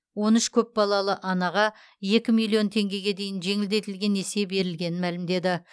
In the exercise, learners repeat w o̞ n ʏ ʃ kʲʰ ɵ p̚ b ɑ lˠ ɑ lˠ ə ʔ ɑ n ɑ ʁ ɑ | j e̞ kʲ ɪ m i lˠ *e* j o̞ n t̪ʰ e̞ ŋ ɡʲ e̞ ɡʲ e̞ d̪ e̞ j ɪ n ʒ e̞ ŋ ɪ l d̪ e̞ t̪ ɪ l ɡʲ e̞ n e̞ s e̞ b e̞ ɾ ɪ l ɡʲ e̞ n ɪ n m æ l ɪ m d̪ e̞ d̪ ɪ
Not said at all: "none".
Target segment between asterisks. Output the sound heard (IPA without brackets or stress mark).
i